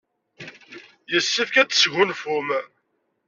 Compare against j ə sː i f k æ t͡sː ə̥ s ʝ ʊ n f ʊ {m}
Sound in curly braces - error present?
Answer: no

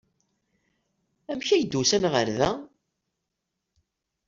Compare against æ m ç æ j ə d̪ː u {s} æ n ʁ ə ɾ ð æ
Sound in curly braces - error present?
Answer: no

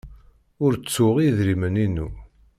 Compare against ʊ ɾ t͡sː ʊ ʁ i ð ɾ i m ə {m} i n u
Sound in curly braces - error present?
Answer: yes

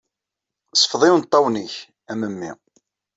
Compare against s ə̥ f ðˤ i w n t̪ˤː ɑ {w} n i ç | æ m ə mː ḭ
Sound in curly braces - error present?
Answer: no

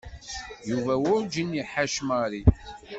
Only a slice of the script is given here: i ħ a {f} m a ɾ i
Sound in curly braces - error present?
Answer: yes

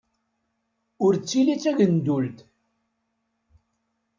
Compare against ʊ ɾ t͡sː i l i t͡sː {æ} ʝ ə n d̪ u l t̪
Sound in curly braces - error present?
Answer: no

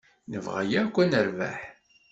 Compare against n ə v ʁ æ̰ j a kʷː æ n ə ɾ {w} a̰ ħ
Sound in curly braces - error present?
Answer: yes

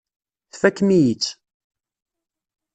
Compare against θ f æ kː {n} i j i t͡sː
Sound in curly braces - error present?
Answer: yes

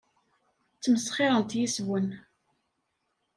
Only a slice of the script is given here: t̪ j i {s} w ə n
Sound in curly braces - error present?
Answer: no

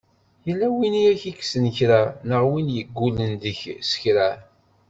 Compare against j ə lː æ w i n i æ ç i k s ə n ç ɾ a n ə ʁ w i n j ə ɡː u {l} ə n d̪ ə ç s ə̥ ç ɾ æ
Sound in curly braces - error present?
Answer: no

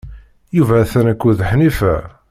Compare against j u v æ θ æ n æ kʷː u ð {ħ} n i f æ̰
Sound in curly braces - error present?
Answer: no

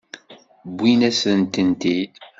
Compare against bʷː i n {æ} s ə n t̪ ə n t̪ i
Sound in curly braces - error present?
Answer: no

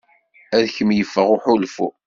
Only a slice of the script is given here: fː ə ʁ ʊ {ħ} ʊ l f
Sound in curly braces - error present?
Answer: no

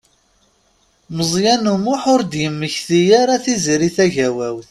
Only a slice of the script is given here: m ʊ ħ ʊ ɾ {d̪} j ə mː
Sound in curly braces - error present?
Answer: no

